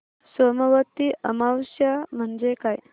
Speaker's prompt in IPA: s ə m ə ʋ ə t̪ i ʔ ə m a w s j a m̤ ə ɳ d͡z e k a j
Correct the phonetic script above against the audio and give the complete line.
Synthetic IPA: s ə m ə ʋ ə t̪ i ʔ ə m a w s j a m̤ ə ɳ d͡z e k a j

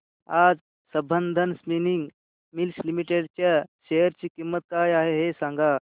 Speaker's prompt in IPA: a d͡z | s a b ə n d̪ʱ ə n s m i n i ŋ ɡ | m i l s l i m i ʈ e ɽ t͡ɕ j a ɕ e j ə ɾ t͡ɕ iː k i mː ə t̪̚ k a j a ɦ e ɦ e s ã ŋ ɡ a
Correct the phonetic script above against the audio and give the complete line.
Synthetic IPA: a d͡z | s ə b ə n d̪ʱ ə n s m i n i ŋ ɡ | m i l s l i m i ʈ e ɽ t͡ɕ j a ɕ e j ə ɾ t͡ɕ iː k i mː ə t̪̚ k a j a ɦ e ɦ e s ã ŋ ɡ a

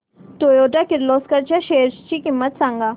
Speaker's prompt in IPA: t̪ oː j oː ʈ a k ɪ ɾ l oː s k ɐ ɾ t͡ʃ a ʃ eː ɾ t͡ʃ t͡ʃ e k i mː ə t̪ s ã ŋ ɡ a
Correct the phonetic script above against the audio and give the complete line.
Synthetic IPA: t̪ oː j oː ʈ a k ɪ ɾ l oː s k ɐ ɾ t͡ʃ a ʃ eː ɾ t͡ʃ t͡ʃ i k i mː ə t̪ s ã ŋ ɡ a

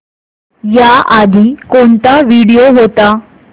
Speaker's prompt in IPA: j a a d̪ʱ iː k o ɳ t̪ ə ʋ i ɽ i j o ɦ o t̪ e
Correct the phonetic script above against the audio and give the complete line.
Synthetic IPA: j a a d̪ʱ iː k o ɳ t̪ a ʋ i ɽ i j o ɦ o t̪ a

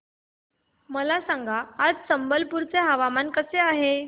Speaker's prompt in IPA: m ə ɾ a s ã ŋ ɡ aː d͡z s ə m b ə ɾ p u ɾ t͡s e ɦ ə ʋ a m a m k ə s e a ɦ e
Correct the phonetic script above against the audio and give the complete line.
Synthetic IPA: m ə l a s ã ŋ ɡ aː d͡z s ə m b ə l p u ɾ t͡s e ɦ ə ʋ a m a n k ə s e a ɦ e

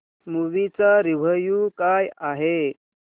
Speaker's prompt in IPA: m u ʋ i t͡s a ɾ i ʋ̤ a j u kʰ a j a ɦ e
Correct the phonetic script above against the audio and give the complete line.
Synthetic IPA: m u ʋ i t͡s a ɾ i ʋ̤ ə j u k a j a ɦ e

